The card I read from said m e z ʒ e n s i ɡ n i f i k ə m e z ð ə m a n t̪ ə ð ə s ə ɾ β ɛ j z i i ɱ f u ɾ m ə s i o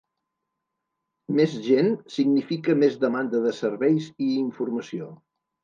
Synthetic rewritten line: m e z ʒ e n s i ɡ n i f i k ə m e z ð ə m a n d̪ ə ð ə s ə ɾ β ɛ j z i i ɱ f u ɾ m ə s i o